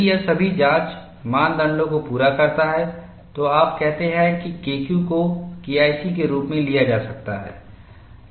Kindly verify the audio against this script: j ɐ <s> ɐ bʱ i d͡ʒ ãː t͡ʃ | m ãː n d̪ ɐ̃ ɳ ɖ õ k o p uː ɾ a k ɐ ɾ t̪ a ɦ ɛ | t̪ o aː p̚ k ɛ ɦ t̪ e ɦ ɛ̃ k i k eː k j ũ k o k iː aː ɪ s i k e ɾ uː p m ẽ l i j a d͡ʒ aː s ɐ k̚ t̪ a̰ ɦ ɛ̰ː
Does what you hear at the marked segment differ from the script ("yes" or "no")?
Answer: no